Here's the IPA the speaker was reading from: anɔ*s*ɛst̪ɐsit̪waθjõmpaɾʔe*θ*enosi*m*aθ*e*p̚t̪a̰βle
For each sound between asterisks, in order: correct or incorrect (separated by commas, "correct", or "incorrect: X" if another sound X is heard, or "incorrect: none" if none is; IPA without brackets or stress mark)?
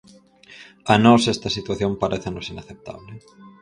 correct, correct, incorrect: n, correct